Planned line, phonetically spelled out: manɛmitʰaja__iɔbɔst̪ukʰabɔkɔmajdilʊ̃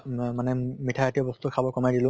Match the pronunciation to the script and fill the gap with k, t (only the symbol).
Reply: t